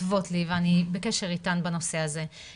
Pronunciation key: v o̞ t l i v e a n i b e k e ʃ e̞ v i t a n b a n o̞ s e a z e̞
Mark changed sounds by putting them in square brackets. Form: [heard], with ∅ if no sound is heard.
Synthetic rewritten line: v o̞ t l i v e a n i b e k e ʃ e̞ [ʁ] i t a n b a n o̞ s e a z e̞